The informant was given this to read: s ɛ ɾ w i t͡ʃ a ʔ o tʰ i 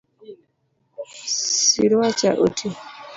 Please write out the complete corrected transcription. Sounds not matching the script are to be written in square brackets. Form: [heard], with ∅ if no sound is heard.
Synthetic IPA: s [i] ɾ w [a] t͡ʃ a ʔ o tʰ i